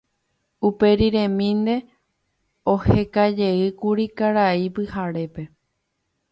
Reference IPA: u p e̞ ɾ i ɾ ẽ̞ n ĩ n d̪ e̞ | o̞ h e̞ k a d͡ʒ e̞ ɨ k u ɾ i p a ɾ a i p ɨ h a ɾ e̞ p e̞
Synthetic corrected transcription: u p e̞ ɾ i ɾ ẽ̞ m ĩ n d̪ e̞ | o̞ h e̞ k a d͡ʒ e̞ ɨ k u ɾ i k a ɾ a i p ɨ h a ɾ e̞ p e̞